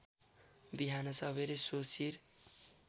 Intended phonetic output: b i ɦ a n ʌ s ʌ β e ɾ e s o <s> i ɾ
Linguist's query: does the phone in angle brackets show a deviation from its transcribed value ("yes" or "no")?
no